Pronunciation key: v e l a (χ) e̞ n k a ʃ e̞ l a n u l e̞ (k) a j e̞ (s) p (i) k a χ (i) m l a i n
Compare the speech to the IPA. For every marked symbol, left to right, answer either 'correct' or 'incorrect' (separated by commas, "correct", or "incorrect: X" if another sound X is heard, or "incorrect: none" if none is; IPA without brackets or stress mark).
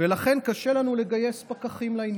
correct, incorrect: ɡ, correct, incorrect: a, correct